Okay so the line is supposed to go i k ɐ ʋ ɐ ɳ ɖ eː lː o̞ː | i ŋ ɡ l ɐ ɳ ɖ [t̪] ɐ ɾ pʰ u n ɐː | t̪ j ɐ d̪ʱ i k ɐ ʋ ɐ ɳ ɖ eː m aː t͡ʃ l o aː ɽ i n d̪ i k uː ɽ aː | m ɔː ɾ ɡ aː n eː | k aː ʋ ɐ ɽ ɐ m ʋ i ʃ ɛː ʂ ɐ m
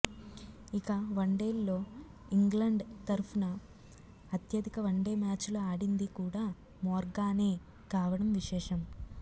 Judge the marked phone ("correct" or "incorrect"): correct